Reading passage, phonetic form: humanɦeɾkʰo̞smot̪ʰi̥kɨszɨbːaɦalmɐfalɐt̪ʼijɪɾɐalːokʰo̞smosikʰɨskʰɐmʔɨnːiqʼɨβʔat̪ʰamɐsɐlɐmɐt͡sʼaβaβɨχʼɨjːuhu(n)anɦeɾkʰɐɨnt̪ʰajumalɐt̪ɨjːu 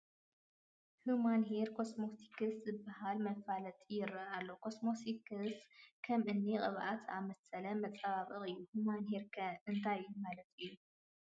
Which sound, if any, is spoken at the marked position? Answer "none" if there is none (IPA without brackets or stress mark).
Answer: m